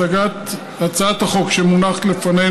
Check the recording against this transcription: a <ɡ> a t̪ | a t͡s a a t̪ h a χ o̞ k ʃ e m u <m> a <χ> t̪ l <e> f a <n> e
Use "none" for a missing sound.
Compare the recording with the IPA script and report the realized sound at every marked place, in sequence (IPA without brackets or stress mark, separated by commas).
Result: ɡ, n, χ, e, n